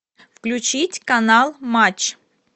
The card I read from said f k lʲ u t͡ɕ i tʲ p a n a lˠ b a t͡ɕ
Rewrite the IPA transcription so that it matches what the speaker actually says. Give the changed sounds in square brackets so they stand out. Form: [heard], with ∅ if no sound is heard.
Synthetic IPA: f k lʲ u t͡ɕ i tʲ [k] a n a lˠ [m] a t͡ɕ